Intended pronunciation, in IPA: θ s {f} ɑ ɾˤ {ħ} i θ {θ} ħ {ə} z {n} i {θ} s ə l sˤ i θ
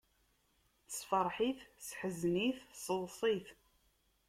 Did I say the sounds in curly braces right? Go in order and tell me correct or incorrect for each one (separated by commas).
correct, correct, incorrect, correct, correct, correct